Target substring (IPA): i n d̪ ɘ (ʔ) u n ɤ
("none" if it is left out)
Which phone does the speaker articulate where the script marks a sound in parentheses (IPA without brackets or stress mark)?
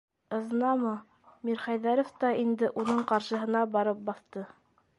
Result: ʔ